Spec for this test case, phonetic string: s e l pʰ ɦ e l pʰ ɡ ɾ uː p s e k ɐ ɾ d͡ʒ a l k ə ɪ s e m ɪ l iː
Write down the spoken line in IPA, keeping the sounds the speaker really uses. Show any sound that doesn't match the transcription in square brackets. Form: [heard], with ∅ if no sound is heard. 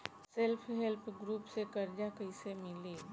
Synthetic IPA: s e l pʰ ɦ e l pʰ ɡ ɾ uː p s e k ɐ ɾ d͡ʒ a [∅] k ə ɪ s e m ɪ l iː